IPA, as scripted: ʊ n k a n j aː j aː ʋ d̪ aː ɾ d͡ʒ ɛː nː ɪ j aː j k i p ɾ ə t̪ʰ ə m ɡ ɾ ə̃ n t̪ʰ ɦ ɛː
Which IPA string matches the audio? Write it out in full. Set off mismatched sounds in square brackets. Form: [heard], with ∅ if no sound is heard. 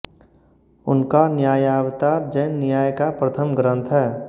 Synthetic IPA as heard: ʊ n k a n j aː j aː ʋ [t̪] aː ɾ d͡ʒ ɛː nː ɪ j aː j k [a] p ɾ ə t̪ʰ ə m ɡ ɾ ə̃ n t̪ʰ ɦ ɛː